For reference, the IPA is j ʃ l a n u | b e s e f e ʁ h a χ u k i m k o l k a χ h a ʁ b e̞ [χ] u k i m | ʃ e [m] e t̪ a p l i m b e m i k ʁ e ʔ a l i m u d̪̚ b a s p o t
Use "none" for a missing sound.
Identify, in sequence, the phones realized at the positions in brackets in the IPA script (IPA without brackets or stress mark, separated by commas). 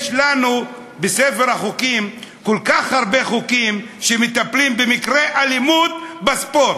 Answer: χ, m